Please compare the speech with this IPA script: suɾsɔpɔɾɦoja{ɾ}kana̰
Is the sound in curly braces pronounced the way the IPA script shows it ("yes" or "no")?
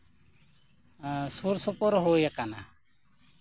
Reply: no